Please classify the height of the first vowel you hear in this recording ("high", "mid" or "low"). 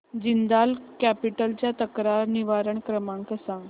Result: high